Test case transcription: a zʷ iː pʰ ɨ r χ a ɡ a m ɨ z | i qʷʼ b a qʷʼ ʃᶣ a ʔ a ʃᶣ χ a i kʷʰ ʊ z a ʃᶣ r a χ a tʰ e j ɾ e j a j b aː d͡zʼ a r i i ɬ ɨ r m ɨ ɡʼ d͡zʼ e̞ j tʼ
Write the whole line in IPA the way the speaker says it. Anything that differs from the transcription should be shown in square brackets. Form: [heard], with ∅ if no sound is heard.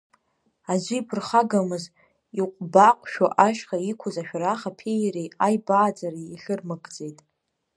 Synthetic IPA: a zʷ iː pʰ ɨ r χ a ɡ a m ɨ z | i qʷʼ b a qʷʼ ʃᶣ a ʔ a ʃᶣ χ a i kʷʰ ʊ z a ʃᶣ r a χ a [pʰ] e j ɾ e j a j b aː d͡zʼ a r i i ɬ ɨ r m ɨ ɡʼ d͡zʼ e̞ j tʼ